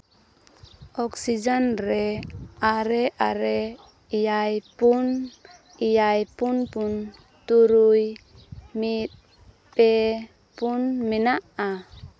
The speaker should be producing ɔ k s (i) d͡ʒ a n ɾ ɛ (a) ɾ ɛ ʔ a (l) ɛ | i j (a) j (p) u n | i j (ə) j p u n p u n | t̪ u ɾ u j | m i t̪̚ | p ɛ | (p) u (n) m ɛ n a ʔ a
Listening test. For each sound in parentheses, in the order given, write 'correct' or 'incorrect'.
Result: correct, correct, incorrect: ɾ, correct, correct, incorrect: a, correct, correct

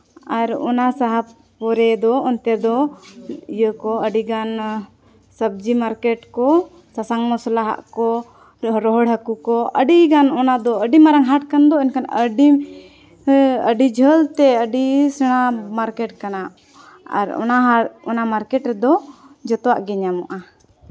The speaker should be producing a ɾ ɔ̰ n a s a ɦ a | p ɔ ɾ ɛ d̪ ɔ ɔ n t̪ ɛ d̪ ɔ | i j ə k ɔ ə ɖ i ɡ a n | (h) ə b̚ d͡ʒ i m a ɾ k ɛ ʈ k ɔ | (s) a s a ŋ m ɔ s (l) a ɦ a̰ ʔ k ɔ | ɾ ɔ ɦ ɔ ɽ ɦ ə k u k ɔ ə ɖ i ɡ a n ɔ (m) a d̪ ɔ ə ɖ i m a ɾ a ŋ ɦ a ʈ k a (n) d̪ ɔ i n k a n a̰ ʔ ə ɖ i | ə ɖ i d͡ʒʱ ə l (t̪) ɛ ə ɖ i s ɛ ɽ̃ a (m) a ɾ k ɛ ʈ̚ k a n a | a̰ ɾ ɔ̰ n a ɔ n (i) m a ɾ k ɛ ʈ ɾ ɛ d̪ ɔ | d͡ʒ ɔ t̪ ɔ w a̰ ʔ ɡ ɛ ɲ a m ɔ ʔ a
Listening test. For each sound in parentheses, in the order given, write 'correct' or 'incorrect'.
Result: incorrect: s, correct, correct, incorrect: n, correct, correct, correct, incorrect: a

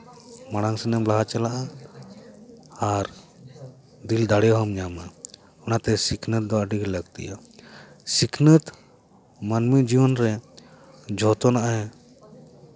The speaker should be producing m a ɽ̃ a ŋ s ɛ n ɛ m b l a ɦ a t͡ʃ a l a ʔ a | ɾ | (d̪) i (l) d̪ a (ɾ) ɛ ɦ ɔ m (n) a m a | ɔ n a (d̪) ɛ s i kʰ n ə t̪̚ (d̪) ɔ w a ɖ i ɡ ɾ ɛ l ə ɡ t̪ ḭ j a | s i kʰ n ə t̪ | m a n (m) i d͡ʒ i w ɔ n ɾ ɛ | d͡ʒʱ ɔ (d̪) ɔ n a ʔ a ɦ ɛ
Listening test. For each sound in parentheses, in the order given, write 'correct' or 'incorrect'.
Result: correct, correct, incorrect: ɽ, incorrect: ɲ, incorrect: t̪, correct, correct, incorrect: t̪

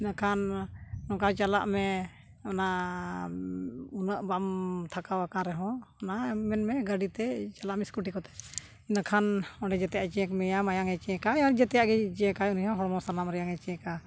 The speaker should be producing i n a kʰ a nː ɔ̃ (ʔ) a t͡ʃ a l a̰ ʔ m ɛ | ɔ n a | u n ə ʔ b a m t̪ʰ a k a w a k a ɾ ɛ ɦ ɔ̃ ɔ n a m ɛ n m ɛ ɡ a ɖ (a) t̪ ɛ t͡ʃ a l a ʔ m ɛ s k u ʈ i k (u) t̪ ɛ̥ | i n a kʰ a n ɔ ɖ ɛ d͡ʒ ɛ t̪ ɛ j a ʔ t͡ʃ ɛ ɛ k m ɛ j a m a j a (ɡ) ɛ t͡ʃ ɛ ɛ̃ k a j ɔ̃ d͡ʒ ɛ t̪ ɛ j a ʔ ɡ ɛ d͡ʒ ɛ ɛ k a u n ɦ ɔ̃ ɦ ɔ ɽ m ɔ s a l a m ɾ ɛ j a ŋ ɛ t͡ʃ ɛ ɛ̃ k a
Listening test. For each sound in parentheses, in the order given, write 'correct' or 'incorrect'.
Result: incorrect: k, incorrect: i, incorrect: ɔ, incorrect: ŋ

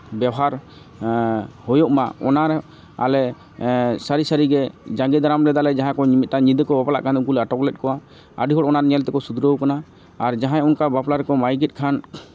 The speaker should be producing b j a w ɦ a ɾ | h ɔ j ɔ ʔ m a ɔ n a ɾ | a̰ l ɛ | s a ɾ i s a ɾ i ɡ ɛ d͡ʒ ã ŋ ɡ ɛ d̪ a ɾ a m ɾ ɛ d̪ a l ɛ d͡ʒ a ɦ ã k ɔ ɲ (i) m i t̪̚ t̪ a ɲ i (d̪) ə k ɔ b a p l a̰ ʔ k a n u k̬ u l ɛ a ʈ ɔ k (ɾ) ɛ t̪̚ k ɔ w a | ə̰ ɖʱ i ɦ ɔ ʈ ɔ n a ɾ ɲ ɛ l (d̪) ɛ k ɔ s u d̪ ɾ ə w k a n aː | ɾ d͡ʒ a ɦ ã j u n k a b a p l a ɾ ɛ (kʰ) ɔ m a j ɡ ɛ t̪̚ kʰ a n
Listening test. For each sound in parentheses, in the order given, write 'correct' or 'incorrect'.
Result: correct, correct, incorrect: l, incorrect: t̪, incorrect: k

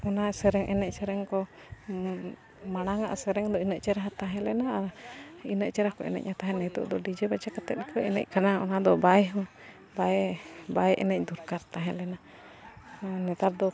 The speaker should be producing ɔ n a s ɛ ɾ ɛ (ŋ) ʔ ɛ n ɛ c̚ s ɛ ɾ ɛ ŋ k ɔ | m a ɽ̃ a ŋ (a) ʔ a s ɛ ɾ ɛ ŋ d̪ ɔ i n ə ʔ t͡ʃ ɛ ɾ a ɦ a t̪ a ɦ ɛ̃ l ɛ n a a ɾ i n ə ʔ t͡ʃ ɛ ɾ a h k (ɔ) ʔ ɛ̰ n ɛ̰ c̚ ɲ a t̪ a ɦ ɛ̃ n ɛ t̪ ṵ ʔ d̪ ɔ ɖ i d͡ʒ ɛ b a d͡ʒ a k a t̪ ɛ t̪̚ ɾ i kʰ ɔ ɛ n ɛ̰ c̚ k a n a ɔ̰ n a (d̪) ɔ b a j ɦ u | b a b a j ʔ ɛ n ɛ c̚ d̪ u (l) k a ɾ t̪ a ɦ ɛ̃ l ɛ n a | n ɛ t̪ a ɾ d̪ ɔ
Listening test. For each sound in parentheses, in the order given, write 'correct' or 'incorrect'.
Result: correct, correct, correct, correct, incorrect: ɾ

